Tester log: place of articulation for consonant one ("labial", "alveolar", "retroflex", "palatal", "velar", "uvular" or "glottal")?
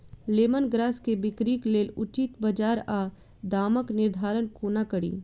alveolar